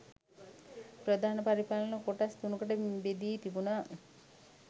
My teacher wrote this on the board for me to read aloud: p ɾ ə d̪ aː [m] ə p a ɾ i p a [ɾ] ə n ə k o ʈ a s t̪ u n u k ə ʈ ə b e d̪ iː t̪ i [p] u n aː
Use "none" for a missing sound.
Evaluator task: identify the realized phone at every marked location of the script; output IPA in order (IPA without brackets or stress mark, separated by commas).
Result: n, l, b